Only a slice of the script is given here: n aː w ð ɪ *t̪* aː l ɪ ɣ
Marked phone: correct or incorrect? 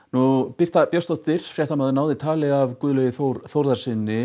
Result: incorrect